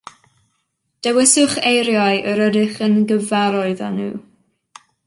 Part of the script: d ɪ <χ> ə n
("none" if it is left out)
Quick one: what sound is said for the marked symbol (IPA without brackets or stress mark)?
χ